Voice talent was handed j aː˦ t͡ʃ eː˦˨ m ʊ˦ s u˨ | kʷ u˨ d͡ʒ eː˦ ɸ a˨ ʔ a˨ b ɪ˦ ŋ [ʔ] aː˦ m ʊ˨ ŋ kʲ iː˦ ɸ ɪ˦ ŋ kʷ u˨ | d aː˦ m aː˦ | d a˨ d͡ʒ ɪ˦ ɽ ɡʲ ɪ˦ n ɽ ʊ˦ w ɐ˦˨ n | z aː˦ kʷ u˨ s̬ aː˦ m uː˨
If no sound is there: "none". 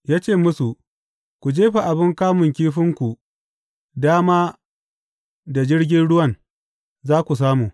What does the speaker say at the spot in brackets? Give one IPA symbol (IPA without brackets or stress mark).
k